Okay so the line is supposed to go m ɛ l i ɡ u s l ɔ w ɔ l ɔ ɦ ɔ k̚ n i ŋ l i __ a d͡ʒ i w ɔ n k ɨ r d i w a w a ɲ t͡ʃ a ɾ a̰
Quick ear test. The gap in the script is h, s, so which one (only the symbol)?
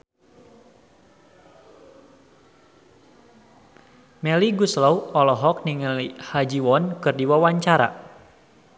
h